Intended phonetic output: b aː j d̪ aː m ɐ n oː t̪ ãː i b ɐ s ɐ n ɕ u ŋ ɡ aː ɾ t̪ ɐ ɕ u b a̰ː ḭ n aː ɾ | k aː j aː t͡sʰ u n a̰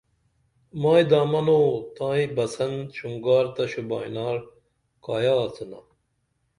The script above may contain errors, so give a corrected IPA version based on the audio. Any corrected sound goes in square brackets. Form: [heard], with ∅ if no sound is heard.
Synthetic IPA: [m] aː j d̪ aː m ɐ n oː t̪ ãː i b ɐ s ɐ n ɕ u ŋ ɡ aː ɾ t̪ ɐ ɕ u b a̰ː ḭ n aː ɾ | k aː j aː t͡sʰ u n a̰